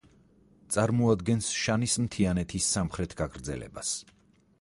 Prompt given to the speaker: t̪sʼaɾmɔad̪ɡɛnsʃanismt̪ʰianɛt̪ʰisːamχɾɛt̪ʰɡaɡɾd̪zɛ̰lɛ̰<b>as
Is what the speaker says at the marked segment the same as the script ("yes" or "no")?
yes